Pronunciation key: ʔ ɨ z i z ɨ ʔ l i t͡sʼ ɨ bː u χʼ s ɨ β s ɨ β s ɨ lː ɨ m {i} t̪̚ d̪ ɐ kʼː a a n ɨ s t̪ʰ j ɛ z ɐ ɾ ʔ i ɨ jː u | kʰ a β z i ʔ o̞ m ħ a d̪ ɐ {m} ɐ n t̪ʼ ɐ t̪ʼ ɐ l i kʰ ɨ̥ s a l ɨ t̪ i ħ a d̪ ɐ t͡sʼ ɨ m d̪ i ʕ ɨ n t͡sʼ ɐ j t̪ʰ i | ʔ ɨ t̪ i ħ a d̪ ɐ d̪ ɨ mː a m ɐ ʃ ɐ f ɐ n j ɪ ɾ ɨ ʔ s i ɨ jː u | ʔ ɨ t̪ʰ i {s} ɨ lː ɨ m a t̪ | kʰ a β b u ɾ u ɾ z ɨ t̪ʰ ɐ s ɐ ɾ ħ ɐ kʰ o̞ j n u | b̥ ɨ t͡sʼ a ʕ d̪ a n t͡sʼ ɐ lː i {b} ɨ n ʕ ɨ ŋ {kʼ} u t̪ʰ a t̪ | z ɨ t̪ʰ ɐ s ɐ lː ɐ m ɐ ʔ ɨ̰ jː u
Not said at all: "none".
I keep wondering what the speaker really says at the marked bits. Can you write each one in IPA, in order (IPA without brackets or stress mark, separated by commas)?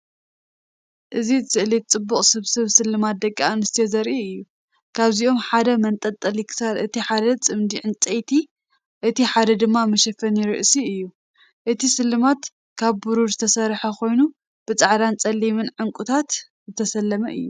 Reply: a, m, s, m, kʼ